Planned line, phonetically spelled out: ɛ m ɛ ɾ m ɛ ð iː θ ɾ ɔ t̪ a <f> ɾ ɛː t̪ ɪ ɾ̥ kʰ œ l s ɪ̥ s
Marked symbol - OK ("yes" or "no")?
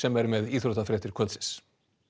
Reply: yes